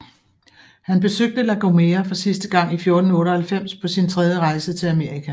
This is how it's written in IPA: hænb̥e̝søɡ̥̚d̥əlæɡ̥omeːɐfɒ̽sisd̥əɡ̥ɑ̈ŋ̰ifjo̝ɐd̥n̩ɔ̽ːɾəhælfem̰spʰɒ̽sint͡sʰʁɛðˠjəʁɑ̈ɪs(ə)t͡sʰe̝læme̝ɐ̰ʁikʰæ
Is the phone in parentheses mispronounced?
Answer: no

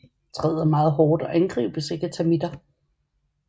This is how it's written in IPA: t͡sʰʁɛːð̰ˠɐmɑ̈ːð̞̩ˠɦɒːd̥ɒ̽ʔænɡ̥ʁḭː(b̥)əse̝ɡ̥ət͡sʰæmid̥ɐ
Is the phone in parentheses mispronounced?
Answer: no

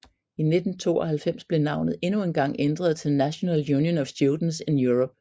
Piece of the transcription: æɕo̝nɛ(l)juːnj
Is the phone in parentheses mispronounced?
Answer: no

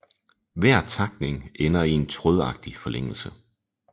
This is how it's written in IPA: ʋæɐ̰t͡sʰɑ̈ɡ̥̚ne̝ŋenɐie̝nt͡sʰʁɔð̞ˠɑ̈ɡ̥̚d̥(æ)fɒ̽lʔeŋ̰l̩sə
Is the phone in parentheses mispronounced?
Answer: yes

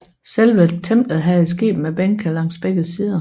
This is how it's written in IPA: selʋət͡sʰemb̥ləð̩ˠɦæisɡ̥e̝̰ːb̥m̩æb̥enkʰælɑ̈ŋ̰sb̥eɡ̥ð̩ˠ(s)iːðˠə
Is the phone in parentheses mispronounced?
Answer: no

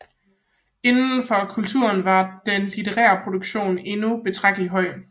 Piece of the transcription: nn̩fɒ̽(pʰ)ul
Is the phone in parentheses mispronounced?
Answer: yes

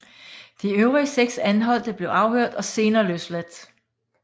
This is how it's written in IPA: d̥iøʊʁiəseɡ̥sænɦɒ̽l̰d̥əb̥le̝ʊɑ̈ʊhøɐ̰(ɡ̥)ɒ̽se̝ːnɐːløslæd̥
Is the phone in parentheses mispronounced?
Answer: yes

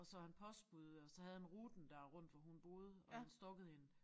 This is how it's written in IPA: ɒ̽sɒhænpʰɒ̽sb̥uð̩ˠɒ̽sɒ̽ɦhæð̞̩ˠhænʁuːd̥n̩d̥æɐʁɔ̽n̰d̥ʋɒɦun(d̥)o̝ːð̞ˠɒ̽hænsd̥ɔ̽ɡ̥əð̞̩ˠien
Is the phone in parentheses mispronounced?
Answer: yes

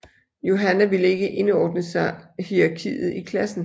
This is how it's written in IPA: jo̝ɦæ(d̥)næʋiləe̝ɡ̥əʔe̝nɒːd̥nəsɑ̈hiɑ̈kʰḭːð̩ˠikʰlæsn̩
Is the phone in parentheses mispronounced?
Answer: yes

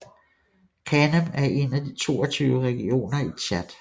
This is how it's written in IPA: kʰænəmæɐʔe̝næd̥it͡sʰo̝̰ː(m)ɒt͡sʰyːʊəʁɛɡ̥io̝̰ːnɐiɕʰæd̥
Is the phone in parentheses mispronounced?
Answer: yes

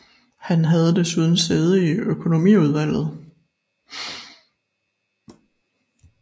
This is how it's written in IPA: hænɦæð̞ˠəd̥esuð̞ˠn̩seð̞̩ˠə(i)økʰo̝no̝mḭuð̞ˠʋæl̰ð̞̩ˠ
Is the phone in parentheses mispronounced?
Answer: no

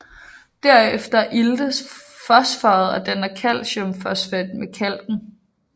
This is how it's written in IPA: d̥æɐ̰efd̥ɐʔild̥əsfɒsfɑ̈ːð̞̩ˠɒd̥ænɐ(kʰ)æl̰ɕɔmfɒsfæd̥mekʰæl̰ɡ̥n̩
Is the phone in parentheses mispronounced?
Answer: no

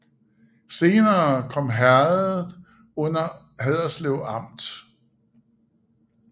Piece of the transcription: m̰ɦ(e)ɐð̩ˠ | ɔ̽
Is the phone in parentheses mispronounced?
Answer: yes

